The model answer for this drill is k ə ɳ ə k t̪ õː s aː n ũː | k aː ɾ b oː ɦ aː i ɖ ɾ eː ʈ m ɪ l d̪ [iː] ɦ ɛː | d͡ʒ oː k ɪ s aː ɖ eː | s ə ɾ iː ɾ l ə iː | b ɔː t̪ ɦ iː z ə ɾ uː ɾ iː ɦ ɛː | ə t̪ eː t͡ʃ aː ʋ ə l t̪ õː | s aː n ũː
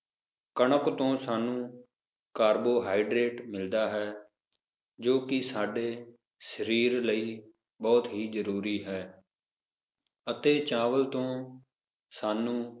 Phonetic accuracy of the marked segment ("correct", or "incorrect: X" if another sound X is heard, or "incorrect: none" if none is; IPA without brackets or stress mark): incorrect: aː